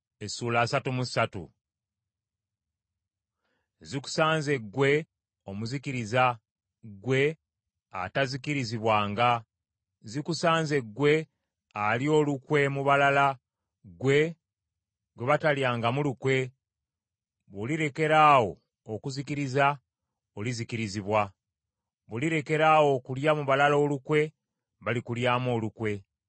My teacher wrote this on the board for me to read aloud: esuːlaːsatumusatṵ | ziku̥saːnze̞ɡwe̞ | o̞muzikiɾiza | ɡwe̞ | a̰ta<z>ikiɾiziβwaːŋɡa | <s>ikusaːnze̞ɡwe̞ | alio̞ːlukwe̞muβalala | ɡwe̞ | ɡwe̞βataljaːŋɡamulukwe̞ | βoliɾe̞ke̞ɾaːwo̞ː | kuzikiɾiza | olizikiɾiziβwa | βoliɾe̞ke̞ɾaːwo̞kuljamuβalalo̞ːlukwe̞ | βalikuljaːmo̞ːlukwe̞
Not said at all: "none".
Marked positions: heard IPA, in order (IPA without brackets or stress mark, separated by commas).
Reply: z, z